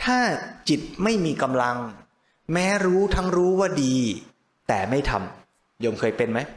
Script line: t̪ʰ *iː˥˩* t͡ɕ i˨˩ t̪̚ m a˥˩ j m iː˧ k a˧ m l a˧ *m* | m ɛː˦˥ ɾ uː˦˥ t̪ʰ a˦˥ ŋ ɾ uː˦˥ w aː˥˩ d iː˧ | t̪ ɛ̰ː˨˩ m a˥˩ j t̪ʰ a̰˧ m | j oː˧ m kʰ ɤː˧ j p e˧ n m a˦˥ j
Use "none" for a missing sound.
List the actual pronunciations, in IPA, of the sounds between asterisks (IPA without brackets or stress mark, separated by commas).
aː˥˩, ŋ